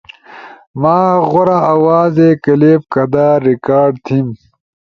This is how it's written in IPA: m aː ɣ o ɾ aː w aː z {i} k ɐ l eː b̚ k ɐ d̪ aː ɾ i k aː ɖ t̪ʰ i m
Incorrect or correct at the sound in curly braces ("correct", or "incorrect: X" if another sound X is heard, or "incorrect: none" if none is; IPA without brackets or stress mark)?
incorrect: e